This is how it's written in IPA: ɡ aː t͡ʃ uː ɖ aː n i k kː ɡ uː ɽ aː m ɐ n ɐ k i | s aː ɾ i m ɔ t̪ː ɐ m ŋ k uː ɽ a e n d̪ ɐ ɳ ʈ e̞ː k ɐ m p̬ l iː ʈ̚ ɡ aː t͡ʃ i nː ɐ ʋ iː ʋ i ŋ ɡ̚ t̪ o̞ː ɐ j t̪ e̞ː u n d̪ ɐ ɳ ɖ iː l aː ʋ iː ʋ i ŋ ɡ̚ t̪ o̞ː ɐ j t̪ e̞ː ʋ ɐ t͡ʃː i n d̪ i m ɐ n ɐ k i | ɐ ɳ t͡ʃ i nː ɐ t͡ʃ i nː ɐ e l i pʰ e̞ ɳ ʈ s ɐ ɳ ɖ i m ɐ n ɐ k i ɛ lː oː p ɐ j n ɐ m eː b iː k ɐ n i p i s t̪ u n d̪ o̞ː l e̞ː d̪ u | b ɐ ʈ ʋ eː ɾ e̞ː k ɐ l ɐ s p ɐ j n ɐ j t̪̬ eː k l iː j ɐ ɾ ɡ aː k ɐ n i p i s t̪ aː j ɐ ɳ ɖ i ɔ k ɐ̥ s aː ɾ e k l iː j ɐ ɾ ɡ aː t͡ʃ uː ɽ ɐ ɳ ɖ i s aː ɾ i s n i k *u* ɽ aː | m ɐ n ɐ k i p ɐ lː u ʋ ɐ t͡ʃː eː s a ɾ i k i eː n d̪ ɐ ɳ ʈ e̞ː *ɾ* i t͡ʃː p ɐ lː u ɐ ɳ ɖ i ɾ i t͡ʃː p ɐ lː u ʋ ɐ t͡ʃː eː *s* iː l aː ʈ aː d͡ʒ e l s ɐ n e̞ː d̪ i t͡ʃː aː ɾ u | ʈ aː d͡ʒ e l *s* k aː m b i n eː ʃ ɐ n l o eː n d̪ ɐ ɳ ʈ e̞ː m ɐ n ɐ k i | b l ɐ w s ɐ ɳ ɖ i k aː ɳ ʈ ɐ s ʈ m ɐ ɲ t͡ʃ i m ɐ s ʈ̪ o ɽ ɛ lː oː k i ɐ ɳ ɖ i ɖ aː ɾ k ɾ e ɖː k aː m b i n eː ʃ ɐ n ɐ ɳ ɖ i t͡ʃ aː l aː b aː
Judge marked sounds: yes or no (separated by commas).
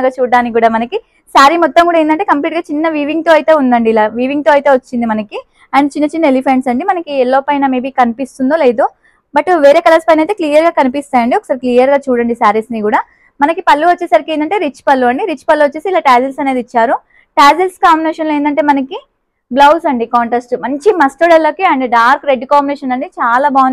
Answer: no, yes, yes, yes